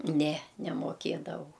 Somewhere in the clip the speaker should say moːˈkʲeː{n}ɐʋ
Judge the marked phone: incorrect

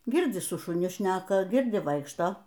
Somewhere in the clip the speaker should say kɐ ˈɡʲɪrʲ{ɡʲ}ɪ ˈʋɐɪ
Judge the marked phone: incorrect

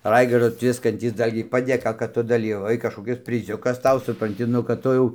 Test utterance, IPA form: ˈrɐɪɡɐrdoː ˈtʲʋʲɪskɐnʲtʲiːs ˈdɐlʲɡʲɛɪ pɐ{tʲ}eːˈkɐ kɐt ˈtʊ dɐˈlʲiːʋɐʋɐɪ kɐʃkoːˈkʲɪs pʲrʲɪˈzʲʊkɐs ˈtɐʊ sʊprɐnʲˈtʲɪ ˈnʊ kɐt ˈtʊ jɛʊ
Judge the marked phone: incorrect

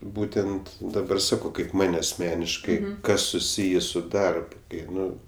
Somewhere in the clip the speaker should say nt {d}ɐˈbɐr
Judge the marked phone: correct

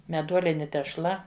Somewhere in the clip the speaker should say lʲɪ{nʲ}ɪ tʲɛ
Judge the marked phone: correct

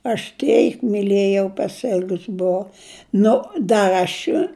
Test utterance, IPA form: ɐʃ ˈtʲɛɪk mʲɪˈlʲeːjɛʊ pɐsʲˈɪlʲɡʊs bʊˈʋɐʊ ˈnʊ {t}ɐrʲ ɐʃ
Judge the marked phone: incorrect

